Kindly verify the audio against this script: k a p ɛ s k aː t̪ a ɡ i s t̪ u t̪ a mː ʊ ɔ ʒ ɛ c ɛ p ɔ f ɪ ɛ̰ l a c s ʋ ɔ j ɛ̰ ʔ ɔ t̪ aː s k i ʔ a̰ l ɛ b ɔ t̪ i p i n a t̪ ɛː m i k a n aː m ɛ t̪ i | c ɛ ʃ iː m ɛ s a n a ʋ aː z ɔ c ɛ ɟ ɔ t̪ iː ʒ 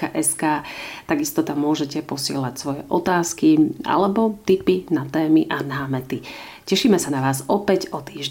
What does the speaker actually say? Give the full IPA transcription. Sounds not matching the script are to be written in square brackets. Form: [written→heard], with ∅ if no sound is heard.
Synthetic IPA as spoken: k a [p→ʔ] ɛ s k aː t̪ a ɡ i s t̪ [u→ɔ] t̪ a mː ʊ ɔ ʒ ɛ c ɛ p ɔ [f→s] ɪ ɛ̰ l a c s ʋ ɔ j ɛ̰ ʔ ɔ t̪ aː s k i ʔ a̰ l ɛ b ɔ t̪ i p i n a t̪ ɛː m i [k→ʔ] a n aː m ɛ t̪ i | c ɛ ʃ iː m ɛ s a n a ʋ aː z ɔ [c→p] ɛ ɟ ɔ t̪ iː ʒ